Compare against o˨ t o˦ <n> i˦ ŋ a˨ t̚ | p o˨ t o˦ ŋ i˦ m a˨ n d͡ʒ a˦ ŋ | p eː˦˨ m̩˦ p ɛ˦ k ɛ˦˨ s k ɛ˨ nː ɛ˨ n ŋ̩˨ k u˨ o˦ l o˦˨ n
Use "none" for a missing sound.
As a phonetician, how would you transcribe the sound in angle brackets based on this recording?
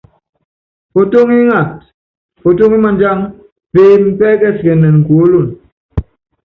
ŋ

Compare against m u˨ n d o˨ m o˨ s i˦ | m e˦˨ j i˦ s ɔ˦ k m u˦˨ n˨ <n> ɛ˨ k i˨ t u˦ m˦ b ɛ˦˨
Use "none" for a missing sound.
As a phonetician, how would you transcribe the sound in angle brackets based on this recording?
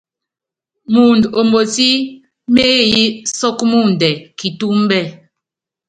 d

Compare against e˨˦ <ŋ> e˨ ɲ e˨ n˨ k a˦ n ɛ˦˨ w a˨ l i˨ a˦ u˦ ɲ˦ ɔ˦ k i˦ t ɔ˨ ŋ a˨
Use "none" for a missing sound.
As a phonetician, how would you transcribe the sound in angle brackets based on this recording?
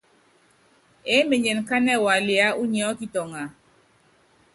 m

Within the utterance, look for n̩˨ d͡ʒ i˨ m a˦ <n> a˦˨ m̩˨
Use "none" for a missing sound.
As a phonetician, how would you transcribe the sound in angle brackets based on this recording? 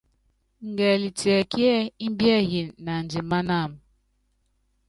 n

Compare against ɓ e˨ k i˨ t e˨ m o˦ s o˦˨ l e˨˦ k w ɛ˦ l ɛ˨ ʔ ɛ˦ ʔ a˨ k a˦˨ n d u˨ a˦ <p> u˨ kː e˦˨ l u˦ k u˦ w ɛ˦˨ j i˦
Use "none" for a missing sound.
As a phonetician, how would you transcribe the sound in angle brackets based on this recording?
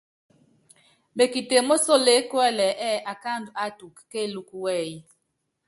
t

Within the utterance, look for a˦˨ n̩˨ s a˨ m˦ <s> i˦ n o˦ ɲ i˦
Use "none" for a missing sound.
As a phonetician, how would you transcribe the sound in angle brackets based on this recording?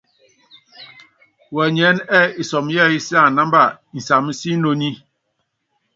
s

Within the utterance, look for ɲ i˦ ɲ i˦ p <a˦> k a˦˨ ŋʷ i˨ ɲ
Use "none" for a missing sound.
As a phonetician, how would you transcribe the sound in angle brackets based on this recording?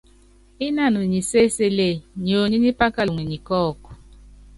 a˦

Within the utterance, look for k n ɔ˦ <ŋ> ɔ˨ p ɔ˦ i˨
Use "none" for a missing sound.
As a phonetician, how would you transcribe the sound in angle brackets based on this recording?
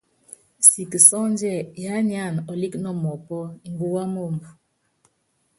m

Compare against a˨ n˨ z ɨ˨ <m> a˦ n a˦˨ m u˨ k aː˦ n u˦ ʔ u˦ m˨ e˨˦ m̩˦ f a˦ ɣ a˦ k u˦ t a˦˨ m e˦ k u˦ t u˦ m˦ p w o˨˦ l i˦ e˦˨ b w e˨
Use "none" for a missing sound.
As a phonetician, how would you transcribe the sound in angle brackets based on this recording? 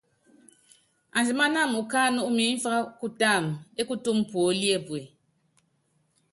m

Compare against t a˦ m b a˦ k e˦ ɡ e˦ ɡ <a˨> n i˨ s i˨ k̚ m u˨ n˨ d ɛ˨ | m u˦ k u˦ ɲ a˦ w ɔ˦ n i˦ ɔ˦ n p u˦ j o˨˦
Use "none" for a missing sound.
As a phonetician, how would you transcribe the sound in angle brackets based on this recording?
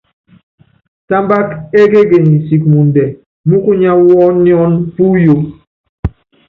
e˨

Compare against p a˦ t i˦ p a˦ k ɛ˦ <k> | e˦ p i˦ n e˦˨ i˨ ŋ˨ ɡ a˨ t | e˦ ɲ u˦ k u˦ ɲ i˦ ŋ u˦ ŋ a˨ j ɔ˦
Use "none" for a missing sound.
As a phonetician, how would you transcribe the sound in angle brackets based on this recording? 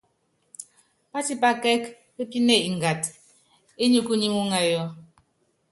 k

